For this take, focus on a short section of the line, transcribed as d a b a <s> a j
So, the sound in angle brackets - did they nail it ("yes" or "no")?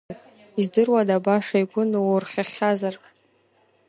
no